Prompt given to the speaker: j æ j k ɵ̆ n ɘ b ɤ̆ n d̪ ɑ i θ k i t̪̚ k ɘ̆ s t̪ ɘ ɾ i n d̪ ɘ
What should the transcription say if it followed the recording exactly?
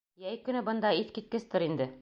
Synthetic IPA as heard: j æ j k ɵ̆ n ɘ b ɤ̆ n d̪ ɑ i θ k i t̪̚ k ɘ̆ s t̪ ɘ ɾ i n d̪ ɘ